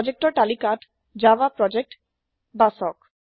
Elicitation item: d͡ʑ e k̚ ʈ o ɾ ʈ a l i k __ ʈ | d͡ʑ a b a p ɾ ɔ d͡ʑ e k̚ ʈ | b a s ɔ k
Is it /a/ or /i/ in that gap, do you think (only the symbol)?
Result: a